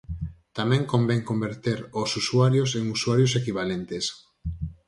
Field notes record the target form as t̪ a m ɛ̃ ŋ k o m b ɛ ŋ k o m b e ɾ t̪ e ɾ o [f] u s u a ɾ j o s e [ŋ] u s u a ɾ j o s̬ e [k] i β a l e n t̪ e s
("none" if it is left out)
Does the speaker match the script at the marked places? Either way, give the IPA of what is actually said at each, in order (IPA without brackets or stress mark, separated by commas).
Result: s, ŋ, k